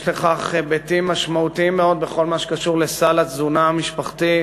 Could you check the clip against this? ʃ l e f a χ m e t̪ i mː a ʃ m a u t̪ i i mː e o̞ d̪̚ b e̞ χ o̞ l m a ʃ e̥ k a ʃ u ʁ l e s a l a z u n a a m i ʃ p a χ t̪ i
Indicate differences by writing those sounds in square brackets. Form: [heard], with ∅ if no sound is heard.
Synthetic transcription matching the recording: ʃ l e [χ] a χ [b] e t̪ i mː a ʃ m a u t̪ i i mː e o̞ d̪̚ b e̞ χ o̞ l m a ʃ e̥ k a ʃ u ʁ l e s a l a z u n a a m i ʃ p a χ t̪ i